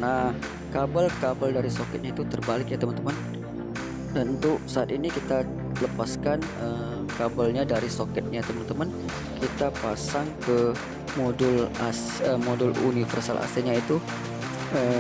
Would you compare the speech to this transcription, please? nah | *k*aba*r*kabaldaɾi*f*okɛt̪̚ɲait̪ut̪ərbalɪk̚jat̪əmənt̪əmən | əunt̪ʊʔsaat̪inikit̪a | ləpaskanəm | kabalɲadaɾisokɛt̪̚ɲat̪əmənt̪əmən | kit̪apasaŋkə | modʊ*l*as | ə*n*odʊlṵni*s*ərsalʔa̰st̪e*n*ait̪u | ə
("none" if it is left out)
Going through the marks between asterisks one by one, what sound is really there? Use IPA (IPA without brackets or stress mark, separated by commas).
k, l, s, l, m, f, ɲ